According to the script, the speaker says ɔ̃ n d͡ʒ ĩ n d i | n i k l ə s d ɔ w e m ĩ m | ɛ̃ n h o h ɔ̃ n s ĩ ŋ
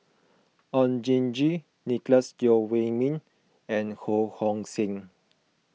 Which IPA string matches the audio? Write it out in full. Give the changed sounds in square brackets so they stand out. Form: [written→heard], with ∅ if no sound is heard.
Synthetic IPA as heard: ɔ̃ n d͡ʒ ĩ n [d→d͡ʒ] i | n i k l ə s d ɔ w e m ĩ [m→n] | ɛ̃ n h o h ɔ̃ [n→ŋ] s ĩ ŋ